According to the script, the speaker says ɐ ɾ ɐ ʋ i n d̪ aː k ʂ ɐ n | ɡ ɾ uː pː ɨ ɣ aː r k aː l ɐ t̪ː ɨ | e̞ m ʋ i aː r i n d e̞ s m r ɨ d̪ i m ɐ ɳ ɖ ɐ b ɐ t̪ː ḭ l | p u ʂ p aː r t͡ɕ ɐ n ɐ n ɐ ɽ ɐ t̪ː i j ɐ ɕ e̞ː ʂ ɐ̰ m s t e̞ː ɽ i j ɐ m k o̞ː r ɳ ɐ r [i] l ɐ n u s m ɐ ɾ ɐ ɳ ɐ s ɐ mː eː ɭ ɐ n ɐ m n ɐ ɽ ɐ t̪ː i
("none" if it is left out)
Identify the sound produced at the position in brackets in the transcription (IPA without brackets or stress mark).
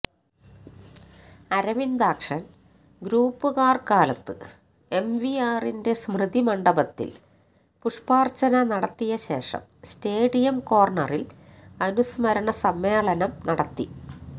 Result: i